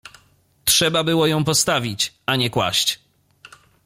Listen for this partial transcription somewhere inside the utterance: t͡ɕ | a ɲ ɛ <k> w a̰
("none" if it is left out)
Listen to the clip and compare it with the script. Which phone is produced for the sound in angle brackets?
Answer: k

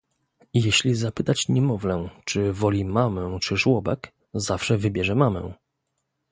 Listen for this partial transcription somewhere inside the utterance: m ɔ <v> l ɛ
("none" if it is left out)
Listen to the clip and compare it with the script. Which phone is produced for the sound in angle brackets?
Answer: v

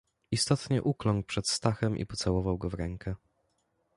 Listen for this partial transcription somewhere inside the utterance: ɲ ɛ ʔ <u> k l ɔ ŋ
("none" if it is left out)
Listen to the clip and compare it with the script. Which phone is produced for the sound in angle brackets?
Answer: u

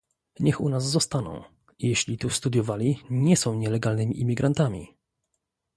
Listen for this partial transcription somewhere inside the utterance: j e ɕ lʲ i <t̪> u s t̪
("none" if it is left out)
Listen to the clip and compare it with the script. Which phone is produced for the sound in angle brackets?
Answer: t̪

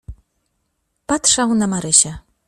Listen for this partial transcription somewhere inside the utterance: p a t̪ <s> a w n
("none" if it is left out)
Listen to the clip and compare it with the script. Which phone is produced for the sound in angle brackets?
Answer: ʂ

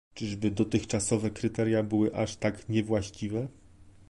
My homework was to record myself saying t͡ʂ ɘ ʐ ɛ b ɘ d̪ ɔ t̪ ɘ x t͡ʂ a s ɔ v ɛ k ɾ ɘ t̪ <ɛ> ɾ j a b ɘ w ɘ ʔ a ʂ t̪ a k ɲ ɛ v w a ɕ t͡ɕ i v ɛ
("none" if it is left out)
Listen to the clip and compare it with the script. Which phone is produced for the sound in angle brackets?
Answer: ɛ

